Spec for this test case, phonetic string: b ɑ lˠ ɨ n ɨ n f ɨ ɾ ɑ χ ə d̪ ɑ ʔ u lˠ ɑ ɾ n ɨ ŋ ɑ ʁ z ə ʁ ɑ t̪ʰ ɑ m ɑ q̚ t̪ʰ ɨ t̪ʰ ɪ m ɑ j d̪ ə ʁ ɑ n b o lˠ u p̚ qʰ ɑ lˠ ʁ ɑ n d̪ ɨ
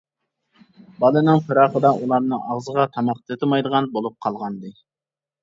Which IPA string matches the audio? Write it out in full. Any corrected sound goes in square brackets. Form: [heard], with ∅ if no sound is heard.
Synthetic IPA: b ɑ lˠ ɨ n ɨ [ŋ] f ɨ ɾ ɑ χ ə d̪ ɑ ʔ u lˠ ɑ ɾ n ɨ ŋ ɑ ʁ z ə ʁ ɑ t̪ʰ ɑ m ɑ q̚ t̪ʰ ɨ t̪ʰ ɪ m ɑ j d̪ ə ʁ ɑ n b o lˠ u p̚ qʰ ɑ lˠ ʁ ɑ n d̪ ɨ

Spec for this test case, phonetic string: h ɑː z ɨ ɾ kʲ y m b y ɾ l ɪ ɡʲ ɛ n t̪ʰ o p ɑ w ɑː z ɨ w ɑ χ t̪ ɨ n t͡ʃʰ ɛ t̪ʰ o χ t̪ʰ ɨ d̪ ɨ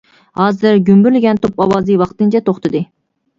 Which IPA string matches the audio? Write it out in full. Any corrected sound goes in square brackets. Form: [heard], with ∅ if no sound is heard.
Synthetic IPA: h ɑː z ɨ ɾ [ɡʲ] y m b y ɾ l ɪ ɡʲ ɛ n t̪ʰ o p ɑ w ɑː z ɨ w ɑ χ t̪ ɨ n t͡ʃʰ ɛ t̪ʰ o χ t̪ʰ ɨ d̪ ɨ

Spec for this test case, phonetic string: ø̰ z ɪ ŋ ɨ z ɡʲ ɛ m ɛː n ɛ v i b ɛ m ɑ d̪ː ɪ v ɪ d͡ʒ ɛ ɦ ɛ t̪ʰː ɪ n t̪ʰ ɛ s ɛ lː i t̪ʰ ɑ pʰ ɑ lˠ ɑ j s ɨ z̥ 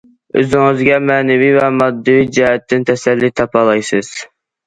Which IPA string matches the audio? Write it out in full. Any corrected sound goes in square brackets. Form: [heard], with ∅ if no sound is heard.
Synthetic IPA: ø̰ z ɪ ŋ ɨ z ɡʲ ɛ m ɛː n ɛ v i [v] ɛ m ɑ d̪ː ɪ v [i] d͡ʒ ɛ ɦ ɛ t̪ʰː ɪ n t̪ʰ ɛ s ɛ lː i t̪ʰ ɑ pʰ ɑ lˠ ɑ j s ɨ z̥

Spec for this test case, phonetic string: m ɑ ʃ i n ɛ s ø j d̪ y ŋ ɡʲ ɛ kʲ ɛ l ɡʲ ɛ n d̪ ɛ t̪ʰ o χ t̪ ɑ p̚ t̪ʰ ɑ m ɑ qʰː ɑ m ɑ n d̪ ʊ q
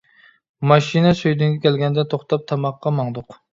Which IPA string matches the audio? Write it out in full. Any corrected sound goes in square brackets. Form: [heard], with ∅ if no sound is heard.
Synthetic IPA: m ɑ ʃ i n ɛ s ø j d̪ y ŋ ɡʲ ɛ kʲ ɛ l ɡʲ ɛ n d̪ ɛ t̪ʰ o χ t̪ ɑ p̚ t̪ʰ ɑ m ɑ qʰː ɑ m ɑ [ŋ] d̪ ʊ q

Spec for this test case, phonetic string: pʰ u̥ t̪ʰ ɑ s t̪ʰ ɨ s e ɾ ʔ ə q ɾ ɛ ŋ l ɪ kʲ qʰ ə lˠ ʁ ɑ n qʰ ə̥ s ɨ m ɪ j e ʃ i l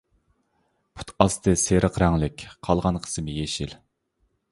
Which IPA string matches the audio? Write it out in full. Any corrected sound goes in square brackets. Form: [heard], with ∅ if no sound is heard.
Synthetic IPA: pʰ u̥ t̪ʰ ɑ s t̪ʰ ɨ s e ɾ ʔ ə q ɾ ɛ ŋ l ɪ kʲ qʰ [ɑ] lˠ ʁ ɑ n qʰ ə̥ s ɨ m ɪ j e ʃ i l

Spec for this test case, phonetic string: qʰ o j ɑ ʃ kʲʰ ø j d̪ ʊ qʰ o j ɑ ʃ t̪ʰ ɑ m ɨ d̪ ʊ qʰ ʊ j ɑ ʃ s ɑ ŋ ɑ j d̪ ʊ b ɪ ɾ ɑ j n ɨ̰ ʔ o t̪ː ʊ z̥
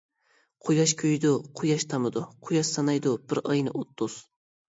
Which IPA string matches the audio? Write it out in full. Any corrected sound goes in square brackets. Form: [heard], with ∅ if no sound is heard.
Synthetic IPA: qʰ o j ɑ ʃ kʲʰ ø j d̪ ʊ qʰ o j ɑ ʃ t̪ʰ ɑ m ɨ d̪ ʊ qʰ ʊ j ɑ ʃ s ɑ [n] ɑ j d̪ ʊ b ɪ ɾ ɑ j n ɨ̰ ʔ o t̪ː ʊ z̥

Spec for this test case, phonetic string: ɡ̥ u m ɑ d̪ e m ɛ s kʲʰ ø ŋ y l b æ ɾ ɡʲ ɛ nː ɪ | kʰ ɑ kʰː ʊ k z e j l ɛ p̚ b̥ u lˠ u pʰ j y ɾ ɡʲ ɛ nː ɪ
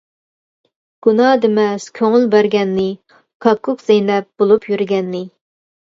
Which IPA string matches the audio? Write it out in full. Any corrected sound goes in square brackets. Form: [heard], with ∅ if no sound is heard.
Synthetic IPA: ɡ̥ u [n] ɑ d̪ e m ɛ s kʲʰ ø ŋ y l b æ ɾ ɡʲ ɛ nː ɪ | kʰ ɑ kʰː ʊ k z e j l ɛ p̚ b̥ [o] lˠ u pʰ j y ɾ ɡʲ ɛ nː ɪ

